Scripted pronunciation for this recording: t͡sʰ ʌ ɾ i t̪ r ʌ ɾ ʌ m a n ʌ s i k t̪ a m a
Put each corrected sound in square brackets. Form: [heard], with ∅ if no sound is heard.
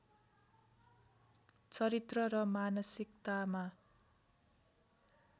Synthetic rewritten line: [t͡s] ʌ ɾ i t̪ r ʌ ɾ ʌ m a n ʌ s i k t̪ a m a

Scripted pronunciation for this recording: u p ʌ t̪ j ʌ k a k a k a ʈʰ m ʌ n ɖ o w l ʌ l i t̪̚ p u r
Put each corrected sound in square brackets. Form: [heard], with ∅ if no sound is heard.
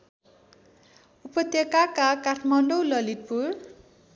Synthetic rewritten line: u p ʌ t̪ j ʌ k a k a k a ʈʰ m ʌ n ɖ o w l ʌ l i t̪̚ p u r

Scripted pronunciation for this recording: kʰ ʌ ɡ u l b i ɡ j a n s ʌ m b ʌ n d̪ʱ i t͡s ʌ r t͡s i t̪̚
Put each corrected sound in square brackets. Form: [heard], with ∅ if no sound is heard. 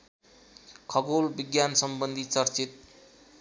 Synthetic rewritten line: kʰ ʌ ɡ [o] l b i ɡ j a n s ʌ m b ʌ n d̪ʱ i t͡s ʌ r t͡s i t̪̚

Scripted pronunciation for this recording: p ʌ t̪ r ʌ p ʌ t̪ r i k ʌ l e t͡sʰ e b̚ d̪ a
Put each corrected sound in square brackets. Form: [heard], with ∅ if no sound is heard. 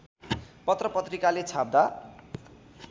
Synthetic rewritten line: p ʌ t̪ r ʌ p ʌ t̪ r i k [a] l e t͡sʰ [a] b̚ d̪ a

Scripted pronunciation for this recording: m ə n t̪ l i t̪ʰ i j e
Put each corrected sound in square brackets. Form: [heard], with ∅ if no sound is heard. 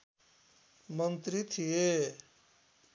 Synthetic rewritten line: m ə n t̪ [ɾ] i t̪ʰ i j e

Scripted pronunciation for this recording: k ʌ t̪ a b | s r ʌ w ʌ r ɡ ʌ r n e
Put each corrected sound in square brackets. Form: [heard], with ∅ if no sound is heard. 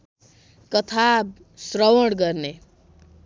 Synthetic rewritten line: k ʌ [t̪ʰ] a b | s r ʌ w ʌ [ɽ] ɡ ʌ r n e

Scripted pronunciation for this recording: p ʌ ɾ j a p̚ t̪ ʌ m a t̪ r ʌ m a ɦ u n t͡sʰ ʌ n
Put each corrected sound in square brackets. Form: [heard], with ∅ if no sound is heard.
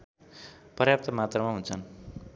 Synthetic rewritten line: p ʌ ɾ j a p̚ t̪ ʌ m a t̪ r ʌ m a ɦ u n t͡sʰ ʌ n

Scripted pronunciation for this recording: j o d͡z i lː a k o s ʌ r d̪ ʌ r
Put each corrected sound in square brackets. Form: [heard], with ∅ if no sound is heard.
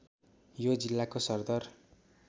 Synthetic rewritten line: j o d͡z i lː a k o s ʌ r d̪ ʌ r

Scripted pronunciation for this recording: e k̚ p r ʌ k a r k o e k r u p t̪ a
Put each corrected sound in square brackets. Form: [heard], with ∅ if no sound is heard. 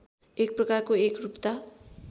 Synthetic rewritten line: e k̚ p r ʌ k a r k o e k r u p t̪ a

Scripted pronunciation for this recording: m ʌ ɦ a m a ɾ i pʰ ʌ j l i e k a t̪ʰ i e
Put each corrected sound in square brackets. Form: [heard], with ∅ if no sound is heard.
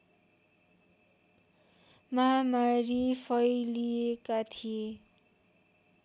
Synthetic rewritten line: m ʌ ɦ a m a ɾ i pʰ ʌ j l i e k a t̪ʰ i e

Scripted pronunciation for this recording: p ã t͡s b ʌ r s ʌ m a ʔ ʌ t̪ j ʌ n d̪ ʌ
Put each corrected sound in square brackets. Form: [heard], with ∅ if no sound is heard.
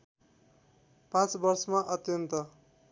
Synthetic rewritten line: p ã t͡s b ʌ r s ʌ m a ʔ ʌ t̪ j ʌ n [t̪] ʌ

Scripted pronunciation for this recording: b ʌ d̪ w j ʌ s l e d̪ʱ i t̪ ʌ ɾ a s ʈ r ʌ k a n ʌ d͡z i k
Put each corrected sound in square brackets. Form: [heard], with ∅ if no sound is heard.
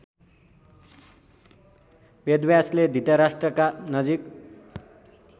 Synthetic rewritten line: b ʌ d̪ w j [a] s l e d̪ʱ i t̪ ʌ ɾ a s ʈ r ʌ k a n ʌ d͡z i k

